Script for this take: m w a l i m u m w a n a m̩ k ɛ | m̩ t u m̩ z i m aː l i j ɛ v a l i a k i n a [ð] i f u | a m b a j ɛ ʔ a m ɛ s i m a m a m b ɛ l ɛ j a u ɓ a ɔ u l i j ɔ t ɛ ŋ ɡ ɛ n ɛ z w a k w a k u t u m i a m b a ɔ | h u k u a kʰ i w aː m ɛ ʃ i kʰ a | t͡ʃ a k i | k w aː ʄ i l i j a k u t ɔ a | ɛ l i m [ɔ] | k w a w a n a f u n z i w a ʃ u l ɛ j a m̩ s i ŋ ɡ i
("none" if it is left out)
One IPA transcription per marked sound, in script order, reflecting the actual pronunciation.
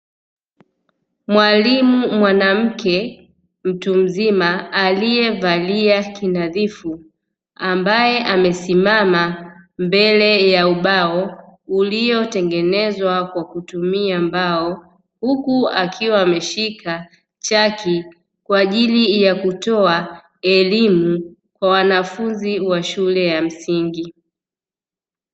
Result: ð, u

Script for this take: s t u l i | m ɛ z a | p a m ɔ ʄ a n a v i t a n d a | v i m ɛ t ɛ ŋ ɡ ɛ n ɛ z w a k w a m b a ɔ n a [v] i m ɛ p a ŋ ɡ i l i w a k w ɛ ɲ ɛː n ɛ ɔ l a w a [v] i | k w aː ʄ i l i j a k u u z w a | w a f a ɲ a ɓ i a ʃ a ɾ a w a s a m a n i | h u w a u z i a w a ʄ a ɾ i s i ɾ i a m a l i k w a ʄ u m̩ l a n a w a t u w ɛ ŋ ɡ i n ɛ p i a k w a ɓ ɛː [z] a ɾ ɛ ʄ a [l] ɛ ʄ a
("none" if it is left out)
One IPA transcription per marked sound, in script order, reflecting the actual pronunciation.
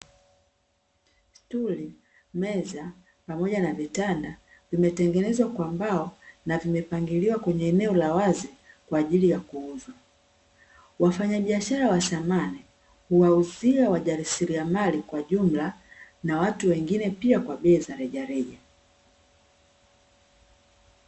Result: v, z, z, ɾ

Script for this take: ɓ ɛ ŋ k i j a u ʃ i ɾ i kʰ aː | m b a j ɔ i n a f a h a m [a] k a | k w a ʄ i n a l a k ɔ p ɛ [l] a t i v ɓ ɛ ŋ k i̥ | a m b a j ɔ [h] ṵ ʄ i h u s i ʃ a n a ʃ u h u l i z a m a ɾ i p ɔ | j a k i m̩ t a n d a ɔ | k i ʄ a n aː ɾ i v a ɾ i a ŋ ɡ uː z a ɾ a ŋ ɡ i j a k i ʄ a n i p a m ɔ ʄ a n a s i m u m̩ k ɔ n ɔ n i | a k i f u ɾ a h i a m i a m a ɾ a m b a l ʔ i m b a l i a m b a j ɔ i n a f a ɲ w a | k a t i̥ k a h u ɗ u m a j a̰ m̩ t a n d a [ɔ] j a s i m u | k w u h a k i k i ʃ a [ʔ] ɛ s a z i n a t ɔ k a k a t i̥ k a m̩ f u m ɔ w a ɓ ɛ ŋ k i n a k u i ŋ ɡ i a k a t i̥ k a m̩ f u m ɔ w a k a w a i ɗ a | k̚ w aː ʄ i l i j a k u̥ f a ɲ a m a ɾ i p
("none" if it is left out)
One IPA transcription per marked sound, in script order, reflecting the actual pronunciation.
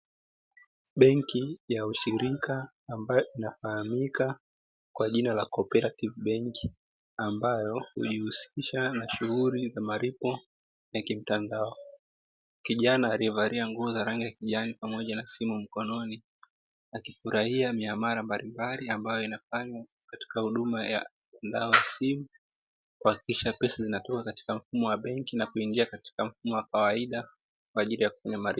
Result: i, ɾ, h, ɔ, p

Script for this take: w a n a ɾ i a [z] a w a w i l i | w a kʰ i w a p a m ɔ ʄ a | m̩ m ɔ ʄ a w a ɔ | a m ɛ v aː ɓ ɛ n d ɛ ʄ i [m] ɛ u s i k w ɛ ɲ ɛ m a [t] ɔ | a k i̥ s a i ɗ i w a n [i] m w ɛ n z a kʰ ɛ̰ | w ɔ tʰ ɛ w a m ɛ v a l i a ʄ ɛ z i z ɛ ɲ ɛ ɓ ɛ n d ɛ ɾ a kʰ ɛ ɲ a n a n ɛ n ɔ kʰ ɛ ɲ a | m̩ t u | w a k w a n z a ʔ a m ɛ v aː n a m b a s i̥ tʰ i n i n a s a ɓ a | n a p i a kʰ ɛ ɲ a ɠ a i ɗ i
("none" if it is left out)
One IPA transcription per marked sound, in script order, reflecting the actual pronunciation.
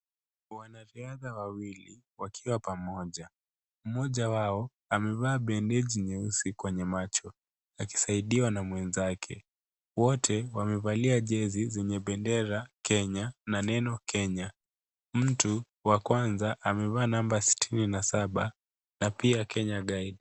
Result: ð, ɲ, t͡ʃ, a

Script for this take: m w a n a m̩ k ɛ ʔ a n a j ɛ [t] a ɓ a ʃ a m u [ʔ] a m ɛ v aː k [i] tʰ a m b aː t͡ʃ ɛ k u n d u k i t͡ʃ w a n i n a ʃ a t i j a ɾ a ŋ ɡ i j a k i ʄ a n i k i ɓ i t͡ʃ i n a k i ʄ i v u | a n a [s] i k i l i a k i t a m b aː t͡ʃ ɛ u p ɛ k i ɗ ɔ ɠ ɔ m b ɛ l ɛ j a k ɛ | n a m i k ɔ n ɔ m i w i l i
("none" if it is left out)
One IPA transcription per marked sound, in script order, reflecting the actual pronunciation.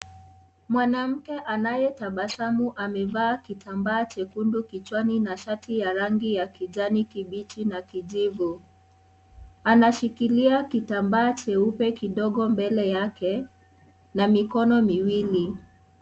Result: t, ʔ, i, ʃ

